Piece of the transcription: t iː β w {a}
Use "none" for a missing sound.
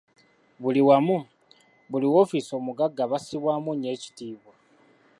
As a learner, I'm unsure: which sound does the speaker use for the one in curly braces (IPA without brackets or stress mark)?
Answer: a